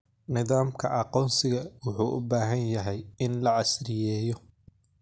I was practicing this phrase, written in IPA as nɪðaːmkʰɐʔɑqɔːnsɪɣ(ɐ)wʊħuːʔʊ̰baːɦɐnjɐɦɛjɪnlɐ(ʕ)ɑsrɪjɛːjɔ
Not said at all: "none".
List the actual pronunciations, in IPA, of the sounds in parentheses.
ɐ, ʕ

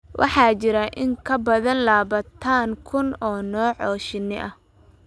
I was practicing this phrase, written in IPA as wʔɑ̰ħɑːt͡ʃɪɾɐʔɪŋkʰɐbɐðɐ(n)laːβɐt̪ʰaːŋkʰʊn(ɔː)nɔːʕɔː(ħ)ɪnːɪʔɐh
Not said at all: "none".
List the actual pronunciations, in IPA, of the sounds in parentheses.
n, ɔː, ʃ

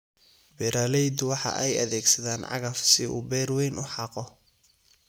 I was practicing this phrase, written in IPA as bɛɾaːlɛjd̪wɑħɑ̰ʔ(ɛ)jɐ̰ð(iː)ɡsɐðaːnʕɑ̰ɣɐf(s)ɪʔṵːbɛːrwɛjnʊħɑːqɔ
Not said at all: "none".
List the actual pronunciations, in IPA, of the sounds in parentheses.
ɛ, ɛː, s

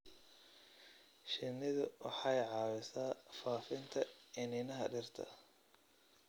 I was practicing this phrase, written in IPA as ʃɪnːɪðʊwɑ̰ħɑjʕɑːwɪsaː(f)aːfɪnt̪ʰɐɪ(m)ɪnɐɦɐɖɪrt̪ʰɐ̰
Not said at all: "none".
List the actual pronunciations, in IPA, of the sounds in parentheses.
f, n

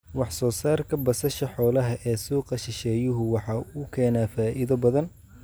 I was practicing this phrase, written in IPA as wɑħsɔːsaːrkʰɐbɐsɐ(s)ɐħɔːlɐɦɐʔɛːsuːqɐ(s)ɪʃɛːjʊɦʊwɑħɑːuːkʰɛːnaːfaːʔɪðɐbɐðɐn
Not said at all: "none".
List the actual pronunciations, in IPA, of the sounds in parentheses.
ʃ, ʃ

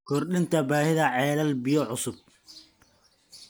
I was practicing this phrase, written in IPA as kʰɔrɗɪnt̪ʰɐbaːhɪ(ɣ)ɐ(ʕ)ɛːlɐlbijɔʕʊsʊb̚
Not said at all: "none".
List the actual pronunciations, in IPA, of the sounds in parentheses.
ð, ʕ

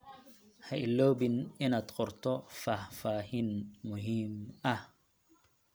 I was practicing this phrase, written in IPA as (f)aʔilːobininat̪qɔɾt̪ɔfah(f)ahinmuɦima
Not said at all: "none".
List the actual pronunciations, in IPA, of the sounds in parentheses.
h, f

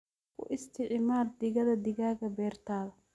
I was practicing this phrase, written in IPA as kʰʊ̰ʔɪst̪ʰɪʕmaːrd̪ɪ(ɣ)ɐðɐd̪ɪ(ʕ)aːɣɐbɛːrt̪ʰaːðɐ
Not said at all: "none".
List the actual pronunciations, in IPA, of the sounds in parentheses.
ɣ, ɣ

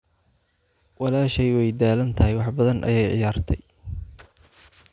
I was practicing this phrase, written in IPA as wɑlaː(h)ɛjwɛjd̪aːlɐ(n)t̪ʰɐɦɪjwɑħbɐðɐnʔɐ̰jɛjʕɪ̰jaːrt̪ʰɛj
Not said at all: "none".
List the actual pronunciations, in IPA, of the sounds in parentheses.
ʃ, n

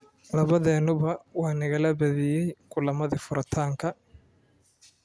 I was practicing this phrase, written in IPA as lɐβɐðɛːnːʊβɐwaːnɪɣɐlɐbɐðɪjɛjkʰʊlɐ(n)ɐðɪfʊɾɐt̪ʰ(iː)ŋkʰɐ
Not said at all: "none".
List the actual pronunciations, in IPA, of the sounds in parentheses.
m, aː

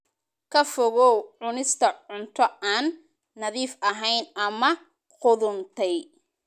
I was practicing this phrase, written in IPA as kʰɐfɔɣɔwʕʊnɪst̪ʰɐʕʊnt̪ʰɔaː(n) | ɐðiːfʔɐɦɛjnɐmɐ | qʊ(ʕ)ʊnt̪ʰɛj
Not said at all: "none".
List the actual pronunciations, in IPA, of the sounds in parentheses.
nː, ð

